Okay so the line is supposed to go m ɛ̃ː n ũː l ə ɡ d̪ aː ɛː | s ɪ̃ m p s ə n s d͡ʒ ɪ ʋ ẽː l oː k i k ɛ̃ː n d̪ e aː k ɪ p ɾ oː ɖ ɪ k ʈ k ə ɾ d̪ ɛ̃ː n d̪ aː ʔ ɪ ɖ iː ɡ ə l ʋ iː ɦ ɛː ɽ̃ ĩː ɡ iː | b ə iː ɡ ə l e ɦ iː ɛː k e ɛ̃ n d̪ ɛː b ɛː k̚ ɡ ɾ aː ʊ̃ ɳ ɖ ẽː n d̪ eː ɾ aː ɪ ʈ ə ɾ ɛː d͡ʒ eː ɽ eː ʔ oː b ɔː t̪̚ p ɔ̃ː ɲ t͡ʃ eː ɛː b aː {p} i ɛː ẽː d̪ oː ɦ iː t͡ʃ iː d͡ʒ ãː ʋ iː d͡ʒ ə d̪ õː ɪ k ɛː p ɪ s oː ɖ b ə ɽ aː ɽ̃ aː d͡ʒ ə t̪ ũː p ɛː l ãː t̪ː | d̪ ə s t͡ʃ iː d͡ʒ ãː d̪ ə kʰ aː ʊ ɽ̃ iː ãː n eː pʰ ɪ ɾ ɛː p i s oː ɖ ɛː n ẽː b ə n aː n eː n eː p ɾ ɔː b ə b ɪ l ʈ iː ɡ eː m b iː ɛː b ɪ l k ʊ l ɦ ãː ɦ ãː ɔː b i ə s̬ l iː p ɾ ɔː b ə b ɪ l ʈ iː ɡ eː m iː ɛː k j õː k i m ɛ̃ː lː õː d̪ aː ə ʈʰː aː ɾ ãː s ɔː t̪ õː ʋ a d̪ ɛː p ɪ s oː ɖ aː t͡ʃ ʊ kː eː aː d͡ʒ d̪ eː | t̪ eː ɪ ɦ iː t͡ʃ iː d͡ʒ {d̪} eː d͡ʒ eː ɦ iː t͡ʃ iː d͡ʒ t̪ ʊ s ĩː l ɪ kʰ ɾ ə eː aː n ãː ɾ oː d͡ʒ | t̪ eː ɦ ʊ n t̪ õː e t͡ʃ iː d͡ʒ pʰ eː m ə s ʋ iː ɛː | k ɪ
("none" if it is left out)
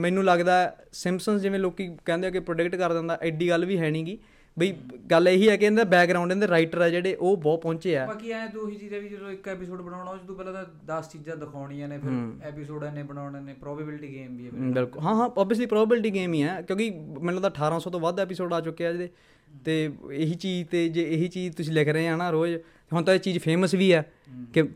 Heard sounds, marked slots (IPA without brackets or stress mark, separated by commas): k, t̪